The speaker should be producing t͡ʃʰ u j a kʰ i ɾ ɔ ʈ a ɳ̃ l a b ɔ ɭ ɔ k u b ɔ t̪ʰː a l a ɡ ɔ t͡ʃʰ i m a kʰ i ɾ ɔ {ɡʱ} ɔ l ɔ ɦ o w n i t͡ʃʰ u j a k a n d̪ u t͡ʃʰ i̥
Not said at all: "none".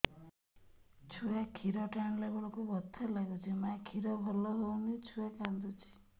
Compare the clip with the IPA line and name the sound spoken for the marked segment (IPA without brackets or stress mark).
bʱ